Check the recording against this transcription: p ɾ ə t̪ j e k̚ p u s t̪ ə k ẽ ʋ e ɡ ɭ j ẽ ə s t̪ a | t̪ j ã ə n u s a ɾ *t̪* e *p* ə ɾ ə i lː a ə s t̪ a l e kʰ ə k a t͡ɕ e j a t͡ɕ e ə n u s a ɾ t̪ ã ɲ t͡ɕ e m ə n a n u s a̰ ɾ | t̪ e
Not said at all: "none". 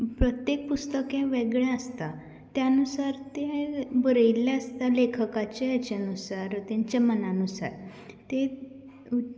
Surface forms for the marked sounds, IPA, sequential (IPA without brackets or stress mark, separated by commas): t̪, b